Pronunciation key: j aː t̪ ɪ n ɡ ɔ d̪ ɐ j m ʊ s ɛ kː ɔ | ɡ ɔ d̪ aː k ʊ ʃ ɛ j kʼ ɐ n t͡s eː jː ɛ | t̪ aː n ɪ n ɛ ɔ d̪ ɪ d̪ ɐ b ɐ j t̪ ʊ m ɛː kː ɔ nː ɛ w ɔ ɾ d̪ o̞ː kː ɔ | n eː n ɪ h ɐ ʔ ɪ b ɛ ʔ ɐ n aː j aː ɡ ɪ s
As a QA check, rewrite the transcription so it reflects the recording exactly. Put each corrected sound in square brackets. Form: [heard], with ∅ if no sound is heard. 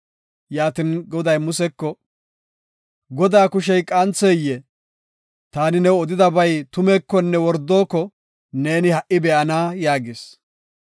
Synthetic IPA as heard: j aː t̪ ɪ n ɡ ɔ d̪ ɐ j m ʊ s ɛ kː ɔ | ɡ ɔ d̪ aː k ʊ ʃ ɛ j kʼ ɐ n t͡s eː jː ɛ | t̪ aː n ɪ n ɛ ɔ d̪ ɪ d̪ ɐ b ɐ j t̪ ʊ m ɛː kː ɔ nː ɛ w ɔ ɾ d̪ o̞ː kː ɔ | n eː n ɪ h ɐ ʔ ɪ b ɛ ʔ ɐ n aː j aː ɡ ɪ s